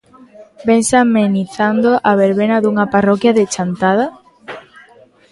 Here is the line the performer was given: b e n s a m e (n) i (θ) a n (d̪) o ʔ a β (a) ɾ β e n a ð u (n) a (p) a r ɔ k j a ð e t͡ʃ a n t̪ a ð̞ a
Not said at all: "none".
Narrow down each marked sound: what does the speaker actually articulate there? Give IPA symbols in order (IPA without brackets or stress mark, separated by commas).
n, θ, d̪, e, ŋ, p